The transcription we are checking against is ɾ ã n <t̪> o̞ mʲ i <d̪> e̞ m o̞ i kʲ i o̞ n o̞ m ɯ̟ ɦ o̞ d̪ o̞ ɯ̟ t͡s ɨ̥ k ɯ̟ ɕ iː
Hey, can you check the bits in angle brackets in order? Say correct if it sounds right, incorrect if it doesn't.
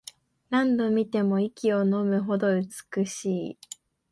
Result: incorrect: d̪, incorrect: t̪

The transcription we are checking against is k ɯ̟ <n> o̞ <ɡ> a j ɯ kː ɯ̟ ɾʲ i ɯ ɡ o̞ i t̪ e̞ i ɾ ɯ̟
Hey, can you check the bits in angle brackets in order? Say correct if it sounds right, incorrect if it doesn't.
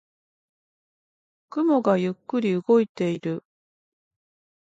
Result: incorrect: m, correct

